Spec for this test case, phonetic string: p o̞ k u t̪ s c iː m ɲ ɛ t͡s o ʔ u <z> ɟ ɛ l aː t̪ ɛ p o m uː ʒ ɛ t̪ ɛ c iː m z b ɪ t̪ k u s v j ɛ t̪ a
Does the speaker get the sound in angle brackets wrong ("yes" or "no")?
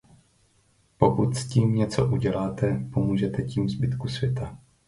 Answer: yes